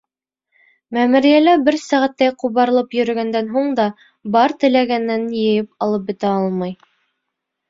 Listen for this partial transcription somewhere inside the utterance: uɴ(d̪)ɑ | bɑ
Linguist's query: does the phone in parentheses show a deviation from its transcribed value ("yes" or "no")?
no